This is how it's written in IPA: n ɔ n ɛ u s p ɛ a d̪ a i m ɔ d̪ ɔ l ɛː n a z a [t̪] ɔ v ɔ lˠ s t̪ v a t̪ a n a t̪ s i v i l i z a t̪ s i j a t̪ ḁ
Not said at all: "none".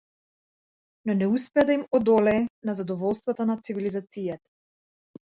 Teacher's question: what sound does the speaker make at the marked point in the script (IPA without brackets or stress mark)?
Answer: d̪